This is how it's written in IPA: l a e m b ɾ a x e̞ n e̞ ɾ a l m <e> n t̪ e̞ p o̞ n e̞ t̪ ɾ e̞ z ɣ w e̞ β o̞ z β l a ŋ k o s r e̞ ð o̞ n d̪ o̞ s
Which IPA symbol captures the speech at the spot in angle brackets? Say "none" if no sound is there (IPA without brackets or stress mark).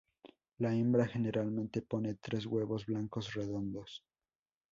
ẽ